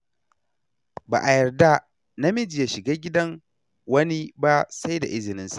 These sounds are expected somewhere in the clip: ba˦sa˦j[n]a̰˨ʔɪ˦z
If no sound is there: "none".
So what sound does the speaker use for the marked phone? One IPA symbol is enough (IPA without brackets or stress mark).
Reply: d